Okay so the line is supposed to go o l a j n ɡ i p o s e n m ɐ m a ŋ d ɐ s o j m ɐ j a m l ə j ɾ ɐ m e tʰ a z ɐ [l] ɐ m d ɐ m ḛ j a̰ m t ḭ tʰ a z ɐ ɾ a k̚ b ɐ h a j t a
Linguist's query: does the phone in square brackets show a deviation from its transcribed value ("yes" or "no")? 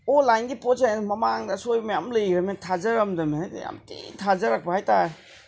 yes